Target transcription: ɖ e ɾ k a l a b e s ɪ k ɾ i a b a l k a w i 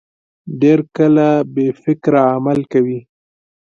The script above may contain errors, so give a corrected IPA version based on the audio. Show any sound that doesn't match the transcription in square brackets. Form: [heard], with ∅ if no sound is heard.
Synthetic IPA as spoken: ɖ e ɾ k [ə] l a b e [f] ɪ k ɾ [a] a [m] a l k a w i